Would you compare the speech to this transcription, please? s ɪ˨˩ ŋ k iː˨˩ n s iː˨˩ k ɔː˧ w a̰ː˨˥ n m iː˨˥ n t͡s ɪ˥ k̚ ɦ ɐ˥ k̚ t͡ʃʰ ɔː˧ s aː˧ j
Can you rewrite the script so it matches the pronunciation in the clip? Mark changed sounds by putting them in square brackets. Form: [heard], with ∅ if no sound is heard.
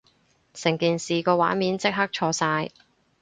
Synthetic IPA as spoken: s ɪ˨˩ ŋ k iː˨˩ n s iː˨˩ k ɔː˧ w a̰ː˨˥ n m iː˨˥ n t͡s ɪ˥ k̚ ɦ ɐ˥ k̚ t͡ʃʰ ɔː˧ s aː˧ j